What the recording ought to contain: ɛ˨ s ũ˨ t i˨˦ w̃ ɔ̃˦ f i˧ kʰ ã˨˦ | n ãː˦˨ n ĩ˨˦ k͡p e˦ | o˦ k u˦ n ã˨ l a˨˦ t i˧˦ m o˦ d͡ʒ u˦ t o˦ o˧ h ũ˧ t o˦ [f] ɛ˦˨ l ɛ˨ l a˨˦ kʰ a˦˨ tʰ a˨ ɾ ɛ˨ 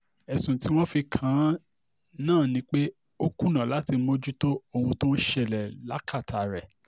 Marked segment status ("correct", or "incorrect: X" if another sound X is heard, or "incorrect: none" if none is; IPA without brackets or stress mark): incorrect: ʃ